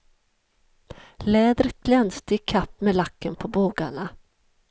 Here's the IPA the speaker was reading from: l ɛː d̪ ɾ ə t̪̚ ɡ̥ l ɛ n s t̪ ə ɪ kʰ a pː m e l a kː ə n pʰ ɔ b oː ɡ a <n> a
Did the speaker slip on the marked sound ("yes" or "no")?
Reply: yes